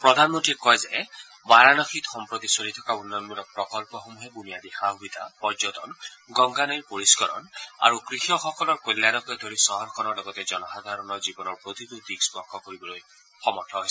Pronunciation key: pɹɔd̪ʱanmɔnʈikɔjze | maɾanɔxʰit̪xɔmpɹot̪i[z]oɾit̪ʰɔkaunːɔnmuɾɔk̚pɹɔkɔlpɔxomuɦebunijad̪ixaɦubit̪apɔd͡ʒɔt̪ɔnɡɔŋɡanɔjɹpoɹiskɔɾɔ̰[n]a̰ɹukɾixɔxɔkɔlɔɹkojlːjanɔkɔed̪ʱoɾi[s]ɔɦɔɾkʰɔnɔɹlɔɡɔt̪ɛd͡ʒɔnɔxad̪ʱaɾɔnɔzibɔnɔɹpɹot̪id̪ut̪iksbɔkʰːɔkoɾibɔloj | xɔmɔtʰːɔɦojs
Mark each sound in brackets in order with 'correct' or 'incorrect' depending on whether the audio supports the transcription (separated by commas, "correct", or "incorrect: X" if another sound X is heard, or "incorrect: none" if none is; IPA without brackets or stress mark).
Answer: incorrect: s, correct, correct